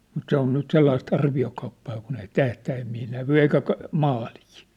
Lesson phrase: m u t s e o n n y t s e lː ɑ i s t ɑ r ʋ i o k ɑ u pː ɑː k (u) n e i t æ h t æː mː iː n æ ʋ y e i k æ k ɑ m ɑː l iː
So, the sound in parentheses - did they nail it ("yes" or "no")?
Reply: yes